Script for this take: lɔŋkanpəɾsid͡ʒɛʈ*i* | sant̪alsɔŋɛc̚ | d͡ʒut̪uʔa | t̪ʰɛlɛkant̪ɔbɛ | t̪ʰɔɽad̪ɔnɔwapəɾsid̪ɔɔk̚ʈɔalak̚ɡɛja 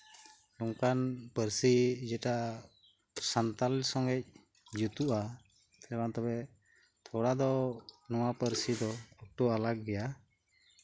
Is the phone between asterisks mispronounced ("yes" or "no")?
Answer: yes